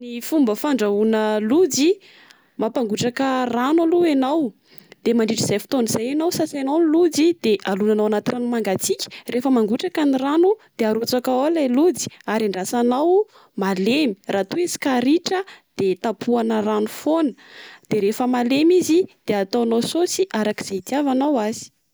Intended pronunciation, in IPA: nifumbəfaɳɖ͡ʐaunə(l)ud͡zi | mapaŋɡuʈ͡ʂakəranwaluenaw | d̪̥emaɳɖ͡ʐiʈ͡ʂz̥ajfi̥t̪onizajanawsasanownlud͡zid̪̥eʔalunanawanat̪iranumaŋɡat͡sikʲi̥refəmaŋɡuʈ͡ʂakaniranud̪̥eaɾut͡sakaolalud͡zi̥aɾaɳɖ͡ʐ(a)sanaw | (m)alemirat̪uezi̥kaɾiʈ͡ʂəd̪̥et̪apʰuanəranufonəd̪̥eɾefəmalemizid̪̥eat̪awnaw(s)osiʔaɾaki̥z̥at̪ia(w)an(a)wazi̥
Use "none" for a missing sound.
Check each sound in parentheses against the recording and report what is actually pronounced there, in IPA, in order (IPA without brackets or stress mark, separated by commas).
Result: l, a, m, s, v, a